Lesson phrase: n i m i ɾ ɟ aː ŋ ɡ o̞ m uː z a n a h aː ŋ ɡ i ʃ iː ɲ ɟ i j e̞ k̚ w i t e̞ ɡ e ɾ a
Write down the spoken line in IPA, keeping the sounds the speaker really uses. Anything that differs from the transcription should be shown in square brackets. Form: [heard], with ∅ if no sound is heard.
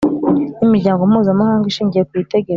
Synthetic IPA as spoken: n i m i ɾ ɟ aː ŋ ɡ o̞ m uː z a [m] a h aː ŋ ɡ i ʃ iː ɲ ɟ i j e̞ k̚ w i t e̞ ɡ e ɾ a